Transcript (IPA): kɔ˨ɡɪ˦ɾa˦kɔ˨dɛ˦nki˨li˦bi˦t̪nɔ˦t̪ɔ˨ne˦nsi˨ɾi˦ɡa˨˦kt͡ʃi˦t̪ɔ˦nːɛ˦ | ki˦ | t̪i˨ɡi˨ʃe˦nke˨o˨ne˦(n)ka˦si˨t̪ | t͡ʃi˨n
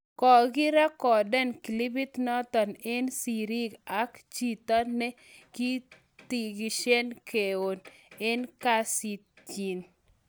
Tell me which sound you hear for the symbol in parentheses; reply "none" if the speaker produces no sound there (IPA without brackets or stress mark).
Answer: n